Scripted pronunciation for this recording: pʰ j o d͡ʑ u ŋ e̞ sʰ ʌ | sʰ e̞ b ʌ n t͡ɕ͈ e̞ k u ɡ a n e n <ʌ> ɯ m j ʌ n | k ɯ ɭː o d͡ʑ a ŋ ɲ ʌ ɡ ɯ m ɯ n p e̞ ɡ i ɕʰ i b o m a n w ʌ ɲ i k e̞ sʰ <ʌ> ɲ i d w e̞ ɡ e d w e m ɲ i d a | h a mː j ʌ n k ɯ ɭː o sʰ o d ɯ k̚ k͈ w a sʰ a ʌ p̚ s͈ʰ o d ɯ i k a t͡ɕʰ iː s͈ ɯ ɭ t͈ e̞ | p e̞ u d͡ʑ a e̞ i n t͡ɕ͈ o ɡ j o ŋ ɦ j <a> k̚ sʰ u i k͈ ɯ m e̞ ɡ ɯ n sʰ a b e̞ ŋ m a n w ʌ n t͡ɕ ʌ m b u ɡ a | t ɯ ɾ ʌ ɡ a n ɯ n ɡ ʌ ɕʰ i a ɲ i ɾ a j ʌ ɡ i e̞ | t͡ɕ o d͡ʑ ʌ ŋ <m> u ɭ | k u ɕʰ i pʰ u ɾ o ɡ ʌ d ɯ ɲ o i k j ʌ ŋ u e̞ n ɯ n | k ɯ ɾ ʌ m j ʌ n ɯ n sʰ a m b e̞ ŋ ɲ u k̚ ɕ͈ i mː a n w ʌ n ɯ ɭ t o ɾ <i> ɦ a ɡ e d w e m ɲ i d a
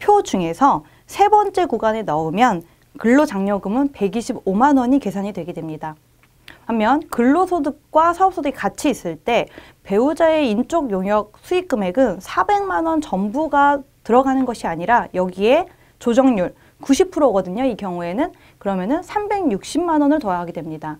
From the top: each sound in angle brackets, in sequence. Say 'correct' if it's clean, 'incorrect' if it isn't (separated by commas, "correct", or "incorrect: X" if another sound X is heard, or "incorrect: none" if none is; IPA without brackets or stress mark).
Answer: correct, incorrect: a, incorrect: ʌ, incorrect: ɲ, incorrect: a